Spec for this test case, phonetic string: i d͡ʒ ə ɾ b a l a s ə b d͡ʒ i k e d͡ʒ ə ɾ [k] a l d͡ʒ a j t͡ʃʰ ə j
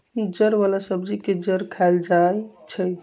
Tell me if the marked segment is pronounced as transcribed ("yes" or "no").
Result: no